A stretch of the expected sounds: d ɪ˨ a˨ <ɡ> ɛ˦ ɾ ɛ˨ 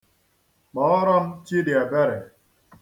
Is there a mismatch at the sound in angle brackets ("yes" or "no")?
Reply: yes